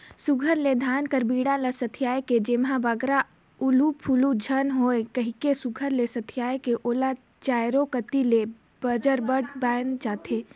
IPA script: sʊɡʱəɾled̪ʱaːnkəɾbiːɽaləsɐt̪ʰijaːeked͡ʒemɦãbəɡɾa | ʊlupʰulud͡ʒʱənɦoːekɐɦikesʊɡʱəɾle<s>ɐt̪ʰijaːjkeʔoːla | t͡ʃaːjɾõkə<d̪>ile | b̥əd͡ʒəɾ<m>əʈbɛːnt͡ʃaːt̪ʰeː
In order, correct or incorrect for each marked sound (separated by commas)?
correct, incorrect, incorrect